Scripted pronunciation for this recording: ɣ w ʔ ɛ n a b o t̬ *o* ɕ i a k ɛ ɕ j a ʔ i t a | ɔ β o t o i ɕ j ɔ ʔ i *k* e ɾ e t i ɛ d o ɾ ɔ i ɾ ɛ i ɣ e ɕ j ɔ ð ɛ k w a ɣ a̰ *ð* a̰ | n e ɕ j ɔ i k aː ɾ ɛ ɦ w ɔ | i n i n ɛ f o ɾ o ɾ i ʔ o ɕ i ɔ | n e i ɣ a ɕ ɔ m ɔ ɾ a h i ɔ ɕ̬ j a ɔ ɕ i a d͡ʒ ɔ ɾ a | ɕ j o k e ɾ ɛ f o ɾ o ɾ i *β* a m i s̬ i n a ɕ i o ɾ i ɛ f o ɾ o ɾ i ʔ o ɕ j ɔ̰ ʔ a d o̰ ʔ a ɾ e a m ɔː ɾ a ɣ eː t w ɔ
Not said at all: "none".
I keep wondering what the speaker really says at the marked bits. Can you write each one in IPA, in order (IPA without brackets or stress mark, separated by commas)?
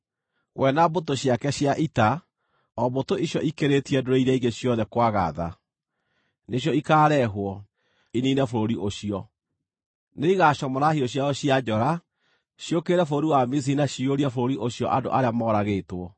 o, k, ð, w